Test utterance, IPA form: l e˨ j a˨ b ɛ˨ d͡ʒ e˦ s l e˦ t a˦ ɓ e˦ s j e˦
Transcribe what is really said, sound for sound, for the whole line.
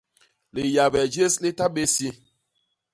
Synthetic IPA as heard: l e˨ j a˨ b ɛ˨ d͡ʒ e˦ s l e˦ t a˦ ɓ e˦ s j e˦